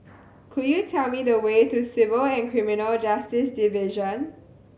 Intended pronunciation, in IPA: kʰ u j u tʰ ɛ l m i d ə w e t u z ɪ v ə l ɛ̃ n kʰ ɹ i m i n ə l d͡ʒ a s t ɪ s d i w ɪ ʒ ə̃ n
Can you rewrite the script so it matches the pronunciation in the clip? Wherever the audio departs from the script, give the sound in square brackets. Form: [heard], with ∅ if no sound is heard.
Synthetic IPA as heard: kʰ u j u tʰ ɛ l m i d ə w e t u [s] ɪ v ə l ɛ̃ n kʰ ɹ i m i n ə l d͡ʒ a s t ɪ s d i [v] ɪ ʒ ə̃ n